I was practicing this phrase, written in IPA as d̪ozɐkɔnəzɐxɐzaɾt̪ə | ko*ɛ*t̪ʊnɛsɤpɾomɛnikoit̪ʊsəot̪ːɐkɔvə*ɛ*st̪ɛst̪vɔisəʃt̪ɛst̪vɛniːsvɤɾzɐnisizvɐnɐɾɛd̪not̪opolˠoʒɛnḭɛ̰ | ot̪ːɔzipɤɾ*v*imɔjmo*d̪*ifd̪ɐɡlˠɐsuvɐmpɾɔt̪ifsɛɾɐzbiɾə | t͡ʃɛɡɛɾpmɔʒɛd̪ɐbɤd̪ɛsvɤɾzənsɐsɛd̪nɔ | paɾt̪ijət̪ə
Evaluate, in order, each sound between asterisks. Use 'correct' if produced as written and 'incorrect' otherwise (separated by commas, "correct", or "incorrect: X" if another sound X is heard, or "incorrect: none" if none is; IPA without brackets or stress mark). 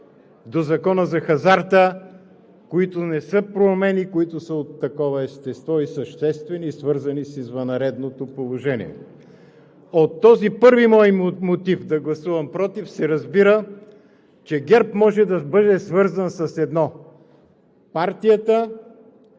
incorrect: i, correct, correct, incorrect: t̪